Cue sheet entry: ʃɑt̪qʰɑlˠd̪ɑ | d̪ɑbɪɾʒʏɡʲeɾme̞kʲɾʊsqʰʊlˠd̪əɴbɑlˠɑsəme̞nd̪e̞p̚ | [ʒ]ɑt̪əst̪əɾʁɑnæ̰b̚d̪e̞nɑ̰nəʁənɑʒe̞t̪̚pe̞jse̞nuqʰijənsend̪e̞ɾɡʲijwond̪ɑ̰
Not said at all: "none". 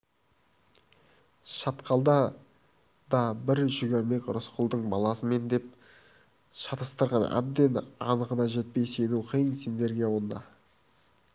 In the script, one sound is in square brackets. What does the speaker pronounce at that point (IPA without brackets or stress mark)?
ʃ